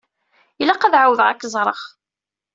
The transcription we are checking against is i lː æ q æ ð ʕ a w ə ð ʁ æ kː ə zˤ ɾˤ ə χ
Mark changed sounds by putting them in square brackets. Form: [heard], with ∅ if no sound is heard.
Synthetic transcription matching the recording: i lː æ q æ ð ʕ a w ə ð ʁ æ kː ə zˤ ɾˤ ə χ